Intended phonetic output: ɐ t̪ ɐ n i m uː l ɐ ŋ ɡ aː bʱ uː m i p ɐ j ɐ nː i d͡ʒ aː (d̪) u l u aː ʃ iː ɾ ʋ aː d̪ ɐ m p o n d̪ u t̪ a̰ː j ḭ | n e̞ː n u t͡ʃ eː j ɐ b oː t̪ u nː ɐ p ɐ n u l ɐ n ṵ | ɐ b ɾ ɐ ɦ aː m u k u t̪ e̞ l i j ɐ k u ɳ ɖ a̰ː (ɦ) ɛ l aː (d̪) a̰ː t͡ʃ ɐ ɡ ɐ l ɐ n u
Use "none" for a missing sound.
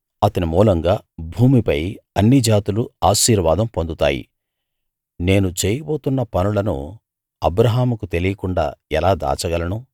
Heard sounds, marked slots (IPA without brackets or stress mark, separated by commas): t̪, none, d̪